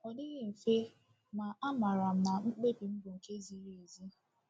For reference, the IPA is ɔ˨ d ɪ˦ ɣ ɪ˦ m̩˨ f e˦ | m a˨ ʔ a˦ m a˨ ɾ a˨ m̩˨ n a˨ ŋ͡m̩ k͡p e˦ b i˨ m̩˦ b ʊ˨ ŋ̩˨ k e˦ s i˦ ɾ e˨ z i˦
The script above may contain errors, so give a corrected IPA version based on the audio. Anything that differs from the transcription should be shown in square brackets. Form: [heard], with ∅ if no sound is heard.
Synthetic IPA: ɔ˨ d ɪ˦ ɣ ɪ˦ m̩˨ f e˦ | m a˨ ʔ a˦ m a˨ ɾ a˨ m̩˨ n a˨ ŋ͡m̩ k͡p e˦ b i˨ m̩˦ b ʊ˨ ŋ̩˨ k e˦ [z] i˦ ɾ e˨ z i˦

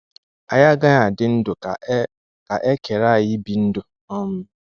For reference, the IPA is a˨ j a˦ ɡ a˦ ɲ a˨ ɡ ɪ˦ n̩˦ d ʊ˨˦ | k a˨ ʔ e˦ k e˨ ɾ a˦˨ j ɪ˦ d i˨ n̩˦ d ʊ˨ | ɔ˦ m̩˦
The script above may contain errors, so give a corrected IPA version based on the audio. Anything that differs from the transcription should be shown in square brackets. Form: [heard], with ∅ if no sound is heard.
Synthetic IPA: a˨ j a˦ ɡ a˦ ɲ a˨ [d] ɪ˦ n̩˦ d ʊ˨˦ | k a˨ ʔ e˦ k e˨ ɾ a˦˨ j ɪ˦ [b] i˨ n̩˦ d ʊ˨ | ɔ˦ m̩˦

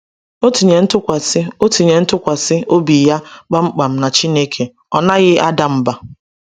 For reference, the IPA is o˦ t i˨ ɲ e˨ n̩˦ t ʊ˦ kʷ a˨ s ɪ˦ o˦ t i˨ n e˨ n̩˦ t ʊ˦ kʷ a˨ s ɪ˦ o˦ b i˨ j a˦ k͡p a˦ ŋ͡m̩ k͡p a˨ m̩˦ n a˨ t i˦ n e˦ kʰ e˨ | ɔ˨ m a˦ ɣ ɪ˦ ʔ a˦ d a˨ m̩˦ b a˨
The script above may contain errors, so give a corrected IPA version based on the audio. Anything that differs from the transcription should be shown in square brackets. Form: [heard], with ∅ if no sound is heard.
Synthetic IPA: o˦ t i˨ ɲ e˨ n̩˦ t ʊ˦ kʷ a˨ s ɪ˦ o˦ t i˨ [ɲ] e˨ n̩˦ t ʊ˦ kʷ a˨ s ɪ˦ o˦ b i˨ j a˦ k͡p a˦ ŋ͡m̩ k͡p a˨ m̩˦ n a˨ [t͡ʃ] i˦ n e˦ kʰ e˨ | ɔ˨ [n] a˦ ɣ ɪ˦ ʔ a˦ d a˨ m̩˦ b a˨

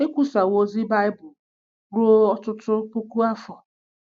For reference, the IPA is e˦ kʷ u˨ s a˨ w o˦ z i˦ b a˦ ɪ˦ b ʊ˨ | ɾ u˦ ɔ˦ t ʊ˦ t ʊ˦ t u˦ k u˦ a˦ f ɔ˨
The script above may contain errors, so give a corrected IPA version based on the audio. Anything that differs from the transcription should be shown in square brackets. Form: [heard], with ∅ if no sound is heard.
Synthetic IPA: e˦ kʷ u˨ s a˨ w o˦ z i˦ b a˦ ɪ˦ b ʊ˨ | ɾ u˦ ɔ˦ t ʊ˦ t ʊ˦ [p] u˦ k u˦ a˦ f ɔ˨

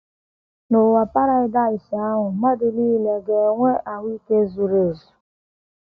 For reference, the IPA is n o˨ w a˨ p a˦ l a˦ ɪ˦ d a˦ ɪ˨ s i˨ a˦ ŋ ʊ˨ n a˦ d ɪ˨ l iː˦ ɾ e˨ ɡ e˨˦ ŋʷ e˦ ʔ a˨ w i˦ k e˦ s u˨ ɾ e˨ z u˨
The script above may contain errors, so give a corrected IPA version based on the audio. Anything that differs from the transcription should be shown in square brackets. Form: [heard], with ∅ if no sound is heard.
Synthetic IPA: n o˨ w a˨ p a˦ [ɾ] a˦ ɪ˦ d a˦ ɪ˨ s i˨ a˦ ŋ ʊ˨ [m] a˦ d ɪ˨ l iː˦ [l] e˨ ɡ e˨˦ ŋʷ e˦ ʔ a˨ w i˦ k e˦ [z] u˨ ɾ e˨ z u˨

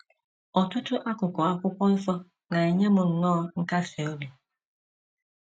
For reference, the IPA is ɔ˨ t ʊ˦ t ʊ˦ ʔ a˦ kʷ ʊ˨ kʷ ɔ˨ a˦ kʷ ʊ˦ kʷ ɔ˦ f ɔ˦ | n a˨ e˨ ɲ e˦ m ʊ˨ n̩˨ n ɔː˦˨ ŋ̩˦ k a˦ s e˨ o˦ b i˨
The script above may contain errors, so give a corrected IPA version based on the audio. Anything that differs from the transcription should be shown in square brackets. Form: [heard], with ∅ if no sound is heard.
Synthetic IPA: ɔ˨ t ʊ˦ t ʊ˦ ʔ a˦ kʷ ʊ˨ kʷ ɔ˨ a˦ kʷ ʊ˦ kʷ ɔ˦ f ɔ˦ | n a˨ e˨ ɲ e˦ m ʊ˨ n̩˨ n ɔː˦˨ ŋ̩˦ k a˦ s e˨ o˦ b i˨

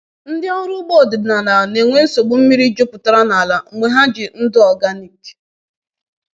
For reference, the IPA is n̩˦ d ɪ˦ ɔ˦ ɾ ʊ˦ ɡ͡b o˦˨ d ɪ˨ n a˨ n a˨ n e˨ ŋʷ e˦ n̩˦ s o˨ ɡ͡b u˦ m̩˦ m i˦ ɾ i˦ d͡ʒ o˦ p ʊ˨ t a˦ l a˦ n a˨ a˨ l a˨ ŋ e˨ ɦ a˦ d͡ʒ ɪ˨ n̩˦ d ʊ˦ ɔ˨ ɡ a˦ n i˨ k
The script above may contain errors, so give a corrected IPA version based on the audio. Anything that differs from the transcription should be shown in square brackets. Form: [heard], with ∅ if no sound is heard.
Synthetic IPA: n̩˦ d ɪ˦ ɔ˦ ɾ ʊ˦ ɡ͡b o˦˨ d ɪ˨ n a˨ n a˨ n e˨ ŋʷ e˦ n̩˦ s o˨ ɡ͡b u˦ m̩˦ m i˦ ɾ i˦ d͡ʒ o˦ p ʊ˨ t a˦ [ɾ] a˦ n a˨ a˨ l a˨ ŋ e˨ ɦ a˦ d͡ʒ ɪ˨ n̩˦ d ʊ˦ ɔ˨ ɡ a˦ n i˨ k

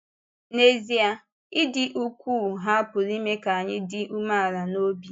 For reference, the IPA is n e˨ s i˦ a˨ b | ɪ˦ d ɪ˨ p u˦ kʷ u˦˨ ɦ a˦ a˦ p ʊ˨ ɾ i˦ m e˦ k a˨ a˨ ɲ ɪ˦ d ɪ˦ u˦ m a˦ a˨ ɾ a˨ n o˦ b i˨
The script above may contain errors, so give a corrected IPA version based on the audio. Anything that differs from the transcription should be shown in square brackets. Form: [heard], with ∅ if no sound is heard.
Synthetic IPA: n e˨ [z] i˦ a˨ [∅] | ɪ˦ d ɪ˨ [ʔ] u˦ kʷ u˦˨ ɦ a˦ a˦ p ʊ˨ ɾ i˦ m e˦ k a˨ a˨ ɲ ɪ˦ d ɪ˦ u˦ m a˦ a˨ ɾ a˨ n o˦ b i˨

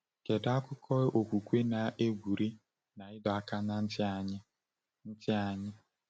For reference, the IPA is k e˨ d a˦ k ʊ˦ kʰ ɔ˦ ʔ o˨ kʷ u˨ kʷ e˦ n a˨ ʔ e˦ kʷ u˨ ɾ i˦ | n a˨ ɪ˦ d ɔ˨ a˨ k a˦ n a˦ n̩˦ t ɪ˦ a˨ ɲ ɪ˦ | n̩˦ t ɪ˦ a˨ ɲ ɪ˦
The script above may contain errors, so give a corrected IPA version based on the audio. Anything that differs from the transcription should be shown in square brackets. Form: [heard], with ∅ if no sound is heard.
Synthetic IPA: k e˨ d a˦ k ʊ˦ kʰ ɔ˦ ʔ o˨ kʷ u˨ kʷ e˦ n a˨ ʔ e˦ [ɡʷ] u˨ ɾ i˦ | n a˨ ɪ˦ d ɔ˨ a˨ k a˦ n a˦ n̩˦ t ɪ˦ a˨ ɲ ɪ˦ | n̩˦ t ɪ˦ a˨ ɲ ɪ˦

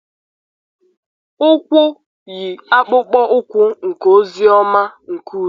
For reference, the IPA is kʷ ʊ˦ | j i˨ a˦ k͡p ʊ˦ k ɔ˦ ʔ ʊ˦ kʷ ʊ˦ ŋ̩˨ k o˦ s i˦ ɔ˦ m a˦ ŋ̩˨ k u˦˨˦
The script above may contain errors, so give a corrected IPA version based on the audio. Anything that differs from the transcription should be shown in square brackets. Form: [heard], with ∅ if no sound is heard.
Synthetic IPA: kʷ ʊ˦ | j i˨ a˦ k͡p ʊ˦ [k͡p] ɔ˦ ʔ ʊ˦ kʷ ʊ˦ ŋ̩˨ k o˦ [z] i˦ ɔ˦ m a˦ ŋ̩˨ k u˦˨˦

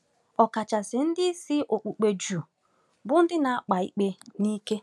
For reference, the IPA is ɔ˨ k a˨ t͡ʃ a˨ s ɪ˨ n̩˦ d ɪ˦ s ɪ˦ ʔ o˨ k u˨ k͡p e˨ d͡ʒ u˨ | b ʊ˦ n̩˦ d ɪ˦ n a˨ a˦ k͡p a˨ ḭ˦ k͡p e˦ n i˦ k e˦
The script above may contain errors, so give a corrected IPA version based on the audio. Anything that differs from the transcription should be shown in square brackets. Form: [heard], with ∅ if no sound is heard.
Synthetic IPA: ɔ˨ k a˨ t͡ʃ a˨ s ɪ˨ n̩˦ d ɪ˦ s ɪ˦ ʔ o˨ [k͡p] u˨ k͡p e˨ d͡ʒ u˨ | b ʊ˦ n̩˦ d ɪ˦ n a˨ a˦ k͡p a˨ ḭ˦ k͡p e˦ n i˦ k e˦

